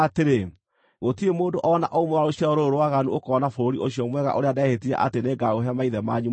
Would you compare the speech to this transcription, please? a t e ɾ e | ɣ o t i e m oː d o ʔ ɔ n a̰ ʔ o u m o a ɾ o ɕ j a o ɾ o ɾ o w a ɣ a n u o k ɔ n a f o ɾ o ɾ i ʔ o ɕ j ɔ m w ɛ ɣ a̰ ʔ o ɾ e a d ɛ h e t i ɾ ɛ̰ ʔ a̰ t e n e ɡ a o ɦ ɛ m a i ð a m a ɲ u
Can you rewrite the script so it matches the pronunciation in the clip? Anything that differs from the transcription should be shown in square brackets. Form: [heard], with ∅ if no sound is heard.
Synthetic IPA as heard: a t e ɾ e | ɣ o t i e m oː d o ʔ ɔ n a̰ ʔ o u m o a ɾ o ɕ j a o ɾ o ɾ o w a ɣ a n u o k ɔ n a f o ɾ o ɾ i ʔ o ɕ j ɔ m w ɛ ɣ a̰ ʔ o ɾ e a d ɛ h e t i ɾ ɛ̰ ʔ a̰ t e n e ɡ a o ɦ ɛ m a i ð [ɛ] m a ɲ u